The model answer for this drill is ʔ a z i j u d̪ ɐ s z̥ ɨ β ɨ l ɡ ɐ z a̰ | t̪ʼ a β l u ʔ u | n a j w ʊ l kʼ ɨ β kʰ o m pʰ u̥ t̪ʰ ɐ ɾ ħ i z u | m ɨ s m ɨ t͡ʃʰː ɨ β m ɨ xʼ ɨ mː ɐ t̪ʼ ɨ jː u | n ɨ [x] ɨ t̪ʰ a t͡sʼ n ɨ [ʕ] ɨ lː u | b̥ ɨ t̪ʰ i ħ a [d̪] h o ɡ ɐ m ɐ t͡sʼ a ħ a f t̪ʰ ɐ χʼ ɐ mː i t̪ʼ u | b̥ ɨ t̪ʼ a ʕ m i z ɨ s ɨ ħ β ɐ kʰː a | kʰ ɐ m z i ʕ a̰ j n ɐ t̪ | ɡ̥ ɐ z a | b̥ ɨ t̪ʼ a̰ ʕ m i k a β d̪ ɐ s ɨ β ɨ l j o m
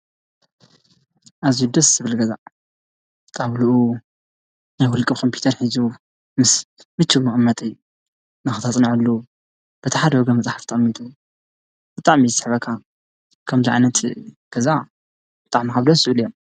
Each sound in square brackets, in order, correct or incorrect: correct, correct, correct

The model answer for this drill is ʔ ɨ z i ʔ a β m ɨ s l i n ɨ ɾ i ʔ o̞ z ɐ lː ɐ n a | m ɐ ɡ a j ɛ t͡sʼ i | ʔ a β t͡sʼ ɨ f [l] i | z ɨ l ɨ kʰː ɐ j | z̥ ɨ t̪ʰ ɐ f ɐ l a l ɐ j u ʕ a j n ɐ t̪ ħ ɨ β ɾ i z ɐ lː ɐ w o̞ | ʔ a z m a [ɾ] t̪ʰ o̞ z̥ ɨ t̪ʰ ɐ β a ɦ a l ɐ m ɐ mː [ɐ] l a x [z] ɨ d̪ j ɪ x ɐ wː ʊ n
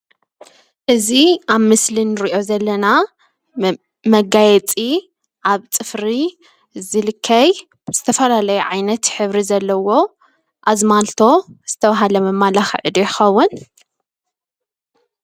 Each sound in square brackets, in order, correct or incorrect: incorrect: ɾ, incorrect: l, incorrect: a, incorrect: ʕ

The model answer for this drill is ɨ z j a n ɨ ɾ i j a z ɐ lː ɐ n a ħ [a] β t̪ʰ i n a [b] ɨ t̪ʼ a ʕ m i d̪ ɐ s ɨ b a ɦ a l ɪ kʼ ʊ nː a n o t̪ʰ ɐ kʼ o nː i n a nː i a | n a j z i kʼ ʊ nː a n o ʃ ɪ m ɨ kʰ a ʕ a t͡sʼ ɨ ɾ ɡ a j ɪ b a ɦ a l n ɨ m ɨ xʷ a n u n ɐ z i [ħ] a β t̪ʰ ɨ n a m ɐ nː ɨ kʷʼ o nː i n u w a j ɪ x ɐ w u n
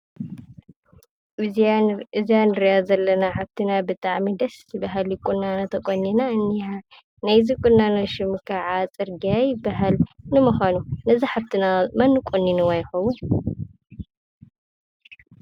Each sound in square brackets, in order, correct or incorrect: correct, correct, correct

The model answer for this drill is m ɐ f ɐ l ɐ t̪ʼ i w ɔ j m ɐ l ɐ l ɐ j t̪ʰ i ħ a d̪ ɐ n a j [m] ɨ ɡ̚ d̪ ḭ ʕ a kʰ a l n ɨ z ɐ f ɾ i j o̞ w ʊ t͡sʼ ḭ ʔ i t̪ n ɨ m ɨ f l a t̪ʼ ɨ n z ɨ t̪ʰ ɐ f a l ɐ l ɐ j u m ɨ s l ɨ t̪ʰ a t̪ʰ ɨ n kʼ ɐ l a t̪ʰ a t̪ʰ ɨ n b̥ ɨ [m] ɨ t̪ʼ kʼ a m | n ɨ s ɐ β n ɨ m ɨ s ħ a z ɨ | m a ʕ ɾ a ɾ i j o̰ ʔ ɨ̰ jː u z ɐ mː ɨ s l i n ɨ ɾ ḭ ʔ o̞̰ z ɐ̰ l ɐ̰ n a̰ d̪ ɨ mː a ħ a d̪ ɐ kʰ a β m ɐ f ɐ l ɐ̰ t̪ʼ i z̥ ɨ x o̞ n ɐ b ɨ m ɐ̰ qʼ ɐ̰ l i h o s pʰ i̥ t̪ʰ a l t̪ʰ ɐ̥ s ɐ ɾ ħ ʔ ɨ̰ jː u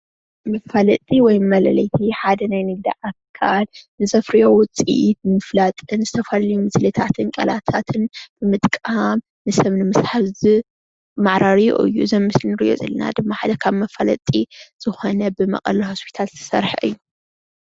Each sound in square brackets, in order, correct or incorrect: incorrect: n, correct

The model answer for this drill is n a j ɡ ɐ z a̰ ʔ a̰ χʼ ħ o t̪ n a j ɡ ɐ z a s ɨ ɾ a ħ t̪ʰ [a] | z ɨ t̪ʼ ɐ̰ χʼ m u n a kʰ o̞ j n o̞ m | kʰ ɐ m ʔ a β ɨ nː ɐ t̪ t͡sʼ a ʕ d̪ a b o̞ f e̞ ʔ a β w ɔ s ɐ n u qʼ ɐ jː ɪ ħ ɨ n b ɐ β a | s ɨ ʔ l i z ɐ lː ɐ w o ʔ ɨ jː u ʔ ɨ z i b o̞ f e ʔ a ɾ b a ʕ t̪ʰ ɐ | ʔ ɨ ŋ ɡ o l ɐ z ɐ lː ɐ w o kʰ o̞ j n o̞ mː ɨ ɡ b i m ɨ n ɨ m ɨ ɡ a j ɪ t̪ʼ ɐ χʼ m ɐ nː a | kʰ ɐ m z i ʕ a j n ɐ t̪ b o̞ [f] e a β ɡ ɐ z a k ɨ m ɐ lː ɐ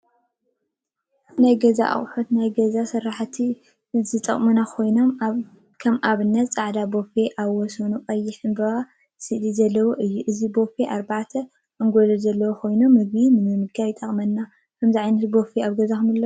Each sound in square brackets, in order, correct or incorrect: incorrect: i, correct

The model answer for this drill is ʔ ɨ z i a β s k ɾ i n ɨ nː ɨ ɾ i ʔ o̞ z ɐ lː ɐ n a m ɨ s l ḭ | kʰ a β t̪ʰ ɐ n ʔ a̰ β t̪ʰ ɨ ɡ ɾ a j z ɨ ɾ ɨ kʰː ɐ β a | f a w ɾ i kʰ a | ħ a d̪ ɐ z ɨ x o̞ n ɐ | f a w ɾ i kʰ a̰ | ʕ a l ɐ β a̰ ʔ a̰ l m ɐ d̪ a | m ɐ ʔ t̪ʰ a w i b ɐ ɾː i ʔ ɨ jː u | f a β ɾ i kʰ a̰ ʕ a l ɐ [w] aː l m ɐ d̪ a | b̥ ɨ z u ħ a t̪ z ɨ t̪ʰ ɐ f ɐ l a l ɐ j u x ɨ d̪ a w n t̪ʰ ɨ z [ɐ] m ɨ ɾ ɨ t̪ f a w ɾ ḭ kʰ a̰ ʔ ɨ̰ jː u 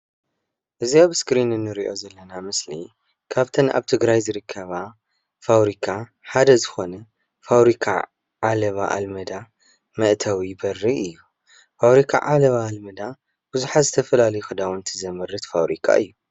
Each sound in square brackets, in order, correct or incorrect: incorrect: β, correct

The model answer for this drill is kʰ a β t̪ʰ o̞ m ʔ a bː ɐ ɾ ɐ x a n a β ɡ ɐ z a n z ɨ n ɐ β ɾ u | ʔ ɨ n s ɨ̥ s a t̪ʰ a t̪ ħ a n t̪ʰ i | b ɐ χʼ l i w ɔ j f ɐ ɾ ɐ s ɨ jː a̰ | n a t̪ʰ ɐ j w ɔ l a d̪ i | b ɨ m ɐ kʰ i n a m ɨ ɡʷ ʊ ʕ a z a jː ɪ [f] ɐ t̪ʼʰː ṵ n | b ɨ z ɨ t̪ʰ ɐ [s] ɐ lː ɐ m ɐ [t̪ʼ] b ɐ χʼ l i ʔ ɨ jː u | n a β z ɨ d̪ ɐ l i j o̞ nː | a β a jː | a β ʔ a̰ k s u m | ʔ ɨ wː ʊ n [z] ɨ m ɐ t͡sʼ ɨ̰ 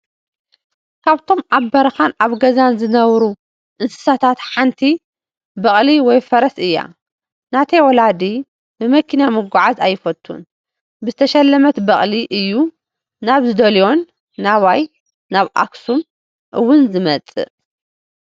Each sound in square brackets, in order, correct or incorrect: correct, incorrect: ʃ, incorrect: t̪, correct

